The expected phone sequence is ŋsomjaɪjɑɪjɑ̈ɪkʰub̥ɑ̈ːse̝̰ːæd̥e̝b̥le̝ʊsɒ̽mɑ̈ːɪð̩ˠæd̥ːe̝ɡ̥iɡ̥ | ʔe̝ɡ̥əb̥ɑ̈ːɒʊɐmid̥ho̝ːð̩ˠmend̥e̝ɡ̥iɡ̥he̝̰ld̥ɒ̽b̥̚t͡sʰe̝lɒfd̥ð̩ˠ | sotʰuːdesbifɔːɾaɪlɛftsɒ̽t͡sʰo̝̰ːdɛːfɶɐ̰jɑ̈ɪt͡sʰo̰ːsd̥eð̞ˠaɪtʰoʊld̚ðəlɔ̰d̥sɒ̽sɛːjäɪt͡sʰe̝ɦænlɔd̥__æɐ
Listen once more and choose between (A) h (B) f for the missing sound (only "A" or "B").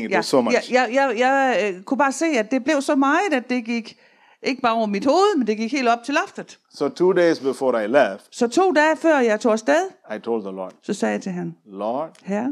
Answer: A